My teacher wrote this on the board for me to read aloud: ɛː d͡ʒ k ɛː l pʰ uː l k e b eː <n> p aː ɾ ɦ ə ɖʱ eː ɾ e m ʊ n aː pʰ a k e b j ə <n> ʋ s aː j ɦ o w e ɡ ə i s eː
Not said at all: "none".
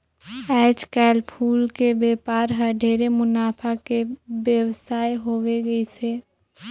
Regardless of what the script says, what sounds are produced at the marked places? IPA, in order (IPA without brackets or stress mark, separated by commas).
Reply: none, none